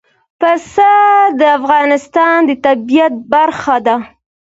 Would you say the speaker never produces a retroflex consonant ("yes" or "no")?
yes